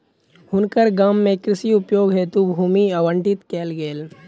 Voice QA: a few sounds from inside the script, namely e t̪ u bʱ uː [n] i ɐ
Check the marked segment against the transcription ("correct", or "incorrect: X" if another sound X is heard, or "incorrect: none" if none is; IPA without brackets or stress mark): incorrect: m